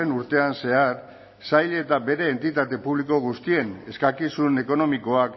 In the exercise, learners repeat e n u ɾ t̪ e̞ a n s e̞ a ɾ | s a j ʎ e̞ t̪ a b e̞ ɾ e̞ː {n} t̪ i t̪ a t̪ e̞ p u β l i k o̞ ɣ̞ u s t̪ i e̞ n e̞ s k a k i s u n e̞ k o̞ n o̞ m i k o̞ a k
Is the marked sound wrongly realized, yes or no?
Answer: no